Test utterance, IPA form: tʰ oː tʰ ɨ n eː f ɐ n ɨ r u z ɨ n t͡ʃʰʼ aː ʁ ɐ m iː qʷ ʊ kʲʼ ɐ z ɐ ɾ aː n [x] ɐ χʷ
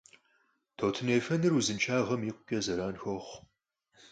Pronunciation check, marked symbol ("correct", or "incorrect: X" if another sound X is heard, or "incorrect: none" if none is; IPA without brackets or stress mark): correct